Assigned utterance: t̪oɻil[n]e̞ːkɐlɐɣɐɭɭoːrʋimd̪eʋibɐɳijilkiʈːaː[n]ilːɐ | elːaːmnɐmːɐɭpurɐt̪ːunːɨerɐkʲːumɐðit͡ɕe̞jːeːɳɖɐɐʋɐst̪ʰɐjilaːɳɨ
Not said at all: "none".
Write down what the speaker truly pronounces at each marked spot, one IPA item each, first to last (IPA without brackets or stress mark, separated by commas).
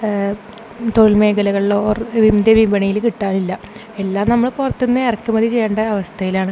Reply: m, n